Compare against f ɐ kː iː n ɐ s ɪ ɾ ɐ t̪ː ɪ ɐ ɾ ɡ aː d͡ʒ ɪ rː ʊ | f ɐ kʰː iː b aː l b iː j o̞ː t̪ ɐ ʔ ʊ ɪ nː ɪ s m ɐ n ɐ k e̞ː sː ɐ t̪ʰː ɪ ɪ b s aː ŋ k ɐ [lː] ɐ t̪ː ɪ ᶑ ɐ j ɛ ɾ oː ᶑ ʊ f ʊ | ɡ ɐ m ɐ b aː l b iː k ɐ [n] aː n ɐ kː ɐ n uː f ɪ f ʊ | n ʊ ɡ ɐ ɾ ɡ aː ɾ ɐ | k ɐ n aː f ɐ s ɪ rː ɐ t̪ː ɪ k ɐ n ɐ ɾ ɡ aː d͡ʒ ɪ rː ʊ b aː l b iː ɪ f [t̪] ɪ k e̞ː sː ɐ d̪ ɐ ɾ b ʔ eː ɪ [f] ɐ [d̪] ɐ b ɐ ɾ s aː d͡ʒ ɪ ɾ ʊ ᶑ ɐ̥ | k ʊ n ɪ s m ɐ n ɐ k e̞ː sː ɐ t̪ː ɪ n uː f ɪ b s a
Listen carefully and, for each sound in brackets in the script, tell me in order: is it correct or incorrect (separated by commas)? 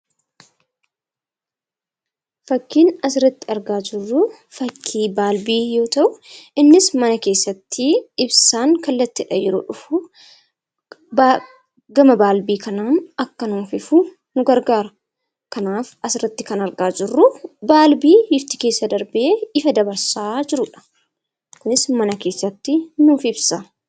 correct, correct, correct, correct, correct